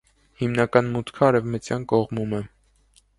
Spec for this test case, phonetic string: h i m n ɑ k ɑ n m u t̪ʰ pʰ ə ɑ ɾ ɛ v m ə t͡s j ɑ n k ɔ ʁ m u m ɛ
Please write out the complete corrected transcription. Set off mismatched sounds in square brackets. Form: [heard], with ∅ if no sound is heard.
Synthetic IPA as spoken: h i m n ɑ k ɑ n m u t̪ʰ [kʰ] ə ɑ ɾ ɛ v m ə t͡s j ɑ n k ɔ ʁ m u m ɛ